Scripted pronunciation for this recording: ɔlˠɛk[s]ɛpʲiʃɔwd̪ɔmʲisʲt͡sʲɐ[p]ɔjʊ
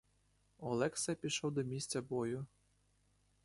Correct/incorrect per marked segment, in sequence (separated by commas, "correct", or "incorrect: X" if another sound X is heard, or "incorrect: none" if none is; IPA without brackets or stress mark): correct, incorrect: b